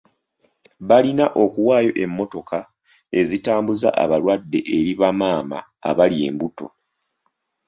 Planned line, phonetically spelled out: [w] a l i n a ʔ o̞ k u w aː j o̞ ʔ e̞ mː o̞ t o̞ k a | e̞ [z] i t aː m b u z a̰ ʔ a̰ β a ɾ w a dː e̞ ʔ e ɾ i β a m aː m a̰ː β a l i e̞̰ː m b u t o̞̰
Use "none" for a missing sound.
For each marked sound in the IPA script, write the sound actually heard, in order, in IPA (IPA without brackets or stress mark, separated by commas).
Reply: β, z